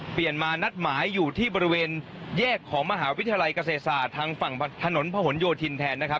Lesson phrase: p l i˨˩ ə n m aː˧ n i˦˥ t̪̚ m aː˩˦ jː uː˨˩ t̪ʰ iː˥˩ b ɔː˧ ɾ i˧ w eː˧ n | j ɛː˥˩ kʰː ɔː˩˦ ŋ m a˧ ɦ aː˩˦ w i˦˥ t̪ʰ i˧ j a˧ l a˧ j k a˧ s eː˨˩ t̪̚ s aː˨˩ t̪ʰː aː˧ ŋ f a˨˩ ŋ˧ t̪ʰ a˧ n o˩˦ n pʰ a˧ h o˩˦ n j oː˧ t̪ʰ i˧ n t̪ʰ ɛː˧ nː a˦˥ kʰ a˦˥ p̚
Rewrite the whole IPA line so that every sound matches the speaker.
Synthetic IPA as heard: p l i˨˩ ə n m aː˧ n a˦˥ t̪̚ m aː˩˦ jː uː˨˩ t̪ʰ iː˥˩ b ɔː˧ ɾ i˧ w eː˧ n | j ɛː˥˩ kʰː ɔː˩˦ ŋ m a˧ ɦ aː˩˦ w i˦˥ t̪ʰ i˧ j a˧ l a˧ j k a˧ s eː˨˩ t̪̚ s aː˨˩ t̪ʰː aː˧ ŋ f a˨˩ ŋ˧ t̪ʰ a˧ n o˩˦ n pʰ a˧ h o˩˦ n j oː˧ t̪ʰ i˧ n t̪ʰ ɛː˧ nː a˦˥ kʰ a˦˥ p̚